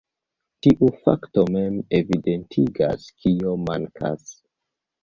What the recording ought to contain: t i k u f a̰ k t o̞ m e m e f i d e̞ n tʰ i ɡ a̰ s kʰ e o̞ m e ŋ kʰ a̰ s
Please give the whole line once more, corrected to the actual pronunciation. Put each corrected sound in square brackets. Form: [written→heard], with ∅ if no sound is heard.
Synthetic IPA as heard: t i [k→ʔ] u f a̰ k t o̞ m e m e [f→v] i d e̞ n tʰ i ɡ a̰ s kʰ [e→i] o̞ m [e→a] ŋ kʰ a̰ s